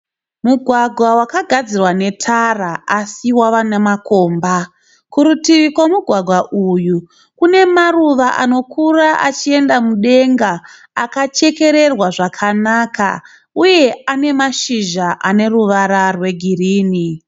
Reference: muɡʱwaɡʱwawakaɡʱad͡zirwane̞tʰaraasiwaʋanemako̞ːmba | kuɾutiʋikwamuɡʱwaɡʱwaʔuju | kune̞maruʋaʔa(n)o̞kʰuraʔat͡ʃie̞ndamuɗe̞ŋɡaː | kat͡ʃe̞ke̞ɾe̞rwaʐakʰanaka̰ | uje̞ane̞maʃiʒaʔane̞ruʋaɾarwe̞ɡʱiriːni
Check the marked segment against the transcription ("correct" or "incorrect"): correct